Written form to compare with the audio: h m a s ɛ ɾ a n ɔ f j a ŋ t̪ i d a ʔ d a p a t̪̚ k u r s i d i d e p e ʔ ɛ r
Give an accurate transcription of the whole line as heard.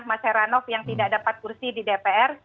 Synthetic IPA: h m a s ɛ ɾ a n ɔ f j a ŋ t̪ i d a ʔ d a p a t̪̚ k u r s i d i d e p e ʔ ɛ r